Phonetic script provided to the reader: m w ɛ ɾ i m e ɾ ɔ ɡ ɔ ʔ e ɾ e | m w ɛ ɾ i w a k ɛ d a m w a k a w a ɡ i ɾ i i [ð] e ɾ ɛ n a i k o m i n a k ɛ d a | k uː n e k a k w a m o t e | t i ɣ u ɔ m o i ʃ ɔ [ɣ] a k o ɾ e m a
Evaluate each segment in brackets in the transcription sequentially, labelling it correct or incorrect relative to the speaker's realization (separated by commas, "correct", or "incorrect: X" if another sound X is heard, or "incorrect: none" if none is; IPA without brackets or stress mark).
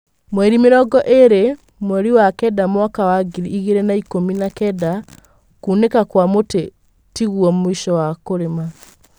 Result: incorrect: ɣ, incorrect: w